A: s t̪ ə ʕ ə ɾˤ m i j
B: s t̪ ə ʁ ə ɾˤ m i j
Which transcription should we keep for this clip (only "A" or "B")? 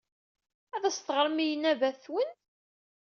B